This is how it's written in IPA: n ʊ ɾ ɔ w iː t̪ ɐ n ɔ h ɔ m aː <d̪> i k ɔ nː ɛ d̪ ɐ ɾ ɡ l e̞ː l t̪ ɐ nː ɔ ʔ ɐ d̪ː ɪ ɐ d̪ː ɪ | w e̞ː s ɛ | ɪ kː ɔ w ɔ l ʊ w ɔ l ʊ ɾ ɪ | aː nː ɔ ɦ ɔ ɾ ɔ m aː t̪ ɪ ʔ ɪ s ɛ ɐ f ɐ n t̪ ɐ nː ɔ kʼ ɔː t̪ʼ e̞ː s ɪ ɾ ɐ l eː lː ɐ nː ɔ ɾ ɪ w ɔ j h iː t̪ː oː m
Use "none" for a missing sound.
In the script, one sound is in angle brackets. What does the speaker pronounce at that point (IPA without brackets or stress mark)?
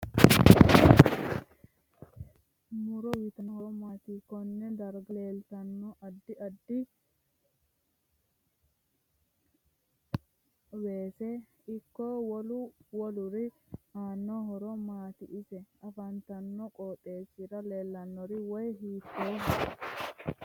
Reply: t̪